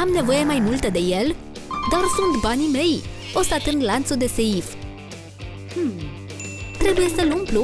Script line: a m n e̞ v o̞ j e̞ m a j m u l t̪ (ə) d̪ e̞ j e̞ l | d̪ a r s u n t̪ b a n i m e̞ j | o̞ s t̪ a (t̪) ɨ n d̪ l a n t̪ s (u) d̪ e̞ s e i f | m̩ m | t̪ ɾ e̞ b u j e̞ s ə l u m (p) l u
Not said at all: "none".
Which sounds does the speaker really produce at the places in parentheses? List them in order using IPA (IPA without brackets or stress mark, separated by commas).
ə, t̪, u, p